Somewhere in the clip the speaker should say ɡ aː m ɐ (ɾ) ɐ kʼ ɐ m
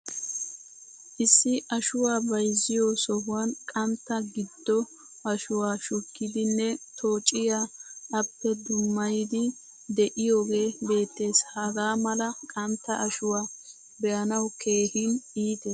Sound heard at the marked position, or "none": l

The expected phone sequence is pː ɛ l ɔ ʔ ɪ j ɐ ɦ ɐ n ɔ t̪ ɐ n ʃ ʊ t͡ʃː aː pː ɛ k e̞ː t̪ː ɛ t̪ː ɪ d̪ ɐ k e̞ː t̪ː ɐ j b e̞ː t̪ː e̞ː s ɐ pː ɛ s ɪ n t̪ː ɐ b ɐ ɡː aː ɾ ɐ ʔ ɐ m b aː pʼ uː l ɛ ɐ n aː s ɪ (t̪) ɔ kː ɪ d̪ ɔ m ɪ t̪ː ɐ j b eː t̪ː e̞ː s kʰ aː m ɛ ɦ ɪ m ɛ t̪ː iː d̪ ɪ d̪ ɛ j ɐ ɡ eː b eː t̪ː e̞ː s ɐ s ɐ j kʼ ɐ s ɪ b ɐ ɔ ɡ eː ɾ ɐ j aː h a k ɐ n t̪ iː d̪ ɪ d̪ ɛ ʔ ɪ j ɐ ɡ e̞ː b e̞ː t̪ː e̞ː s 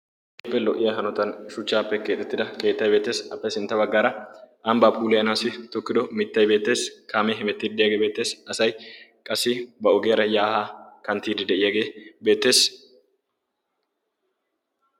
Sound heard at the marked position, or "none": t̪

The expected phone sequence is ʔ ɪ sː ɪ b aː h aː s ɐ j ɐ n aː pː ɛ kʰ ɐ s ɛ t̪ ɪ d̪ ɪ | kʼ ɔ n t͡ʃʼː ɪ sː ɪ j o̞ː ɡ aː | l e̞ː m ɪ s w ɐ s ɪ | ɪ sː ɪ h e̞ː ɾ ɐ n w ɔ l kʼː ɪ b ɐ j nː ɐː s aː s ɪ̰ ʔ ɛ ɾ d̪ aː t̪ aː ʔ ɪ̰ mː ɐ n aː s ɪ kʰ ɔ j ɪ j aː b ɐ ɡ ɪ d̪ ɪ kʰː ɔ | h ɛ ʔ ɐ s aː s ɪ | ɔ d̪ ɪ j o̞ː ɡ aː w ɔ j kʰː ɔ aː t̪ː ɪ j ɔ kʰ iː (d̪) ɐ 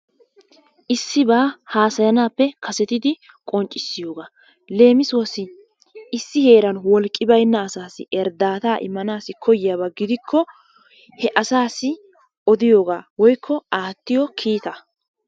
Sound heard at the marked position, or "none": t̪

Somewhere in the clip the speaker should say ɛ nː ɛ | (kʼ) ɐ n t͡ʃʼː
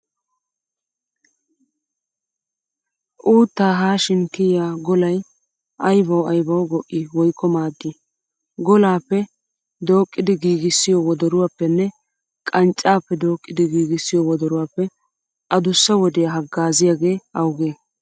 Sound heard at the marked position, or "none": kʼ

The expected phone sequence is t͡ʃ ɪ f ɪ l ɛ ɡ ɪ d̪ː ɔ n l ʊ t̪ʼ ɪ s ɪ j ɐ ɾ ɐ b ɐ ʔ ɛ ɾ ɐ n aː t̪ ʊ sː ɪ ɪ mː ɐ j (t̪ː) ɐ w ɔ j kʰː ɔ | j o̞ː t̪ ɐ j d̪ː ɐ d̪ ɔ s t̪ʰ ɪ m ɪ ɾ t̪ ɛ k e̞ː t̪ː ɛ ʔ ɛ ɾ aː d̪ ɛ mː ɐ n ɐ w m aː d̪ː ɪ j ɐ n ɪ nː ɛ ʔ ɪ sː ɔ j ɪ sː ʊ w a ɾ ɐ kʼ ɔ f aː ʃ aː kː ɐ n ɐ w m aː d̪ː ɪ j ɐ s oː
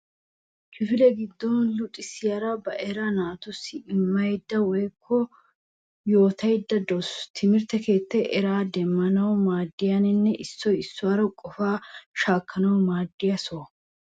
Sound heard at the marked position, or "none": d̪ː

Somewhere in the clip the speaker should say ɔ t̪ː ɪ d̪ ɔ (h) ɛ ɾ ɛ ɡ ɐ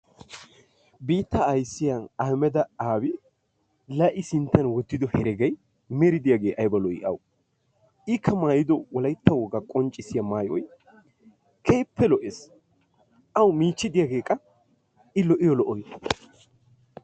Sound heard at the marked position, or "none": h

